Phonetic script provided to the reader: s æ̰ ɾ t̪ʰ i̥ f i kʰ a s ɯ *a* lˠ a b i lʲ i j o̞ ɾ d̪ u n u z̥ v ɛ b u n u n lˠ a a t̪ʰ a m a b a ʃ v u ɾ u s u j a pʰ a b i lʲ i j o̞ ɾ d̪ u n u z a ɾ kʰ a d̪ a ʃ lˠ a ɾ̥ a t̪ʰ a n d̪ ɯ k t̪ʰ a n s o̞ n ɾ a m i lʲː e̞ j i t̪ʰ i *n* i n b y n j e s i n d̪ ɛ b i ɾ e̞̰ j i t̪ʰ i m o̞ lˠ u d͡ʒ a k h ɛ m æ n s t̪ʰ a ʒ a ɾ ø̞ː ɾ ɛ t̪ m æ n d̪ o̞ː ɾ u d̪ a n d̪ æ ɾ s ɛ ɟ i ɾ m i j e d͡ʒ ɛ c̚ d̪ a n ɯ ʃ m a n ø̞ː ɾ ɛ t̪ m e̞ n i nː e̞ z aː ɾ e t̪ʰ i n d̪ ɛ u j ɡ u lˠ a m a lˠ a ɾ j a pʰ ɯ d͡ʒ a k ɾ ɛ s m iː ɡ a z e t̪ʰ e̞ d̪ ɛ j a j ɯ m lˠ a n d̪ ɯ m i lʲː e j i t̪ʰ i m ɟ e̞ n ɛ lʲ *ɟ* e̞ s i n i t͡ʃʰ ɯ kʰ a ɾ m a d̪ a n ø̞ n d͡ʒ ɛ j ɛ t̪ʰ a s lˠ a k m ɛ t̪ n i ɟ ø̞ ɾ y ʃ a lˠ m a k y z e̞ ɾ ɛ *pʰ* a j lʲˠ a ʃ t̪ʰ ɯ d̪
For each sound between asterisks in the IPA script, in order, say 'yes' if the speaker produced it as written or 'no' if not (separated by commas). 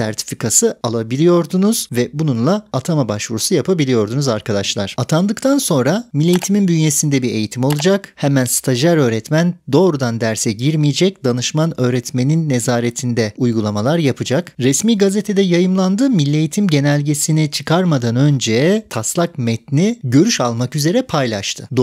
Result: yes, no, yes, yes